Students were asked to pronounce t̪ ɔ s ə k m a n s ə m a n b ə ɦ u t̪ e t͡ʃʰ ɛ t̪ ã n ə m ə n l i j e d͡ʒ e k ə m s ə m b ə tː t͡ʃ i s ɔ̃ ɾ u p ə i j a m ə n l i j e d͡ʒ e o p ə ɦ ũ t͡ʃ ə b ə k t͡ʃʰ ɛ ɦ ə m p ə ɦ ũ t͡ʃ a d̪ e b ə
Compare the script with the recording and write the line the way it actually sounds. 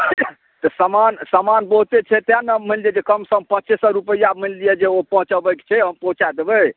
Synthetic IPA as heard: t̪ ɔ s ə m a n s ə m a n b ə ɦ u t̪ e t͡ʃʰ ɛ t̪ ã n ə m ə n l i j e d͡ʒ e k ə m s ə m p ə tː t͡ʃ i s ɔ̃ ɾ u p ə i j a m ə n l i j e d͡ʒ e o p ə ɦ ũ t͡ʃ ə b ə k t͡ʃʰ ɛ ɦ ə m p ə ɦ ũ t͡ʃ a d̪ e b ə